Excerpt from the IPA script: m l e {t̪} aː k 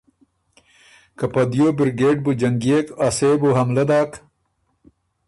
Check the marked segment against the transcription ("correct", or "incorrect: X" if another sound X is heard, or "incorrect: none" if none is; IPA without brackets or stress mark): incorrect: d̪